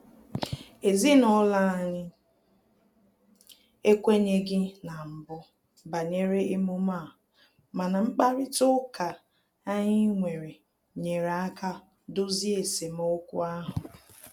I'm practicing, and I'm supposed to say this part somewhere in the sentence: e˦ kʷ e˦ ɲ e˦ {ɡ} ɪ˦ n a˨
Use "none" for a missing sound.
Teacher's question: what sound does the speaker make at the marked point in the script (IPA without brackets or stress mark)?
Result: ɡ